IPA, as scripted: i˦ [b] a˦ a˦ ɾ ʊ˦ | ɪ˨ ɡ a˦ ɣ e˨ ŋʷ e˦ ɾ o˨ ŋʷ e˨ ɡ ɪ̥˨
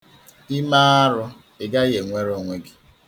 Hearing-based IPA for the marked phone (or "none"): m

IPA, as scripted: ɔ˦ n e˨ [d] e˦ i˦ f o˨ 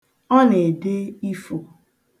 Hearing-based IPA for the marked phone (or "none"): d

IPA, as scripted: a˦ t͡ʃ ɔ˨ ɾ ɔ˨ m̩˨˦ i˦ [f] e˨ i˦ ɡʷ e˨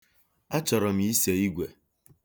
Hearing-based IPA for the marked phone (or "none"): s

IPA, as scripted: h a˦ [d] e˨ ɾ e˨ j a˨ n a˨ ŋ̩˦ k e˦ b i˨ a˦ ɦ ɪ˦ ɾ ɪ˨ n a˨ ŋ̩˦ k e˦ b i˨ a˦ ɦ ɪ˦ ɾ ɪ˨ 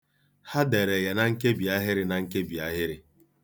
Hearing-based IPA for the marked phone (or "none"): d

